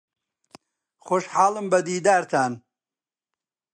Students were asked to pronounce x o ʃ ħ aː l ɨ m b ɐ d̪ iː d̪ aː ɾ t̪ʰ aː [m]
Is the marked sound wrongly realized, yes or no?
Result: yes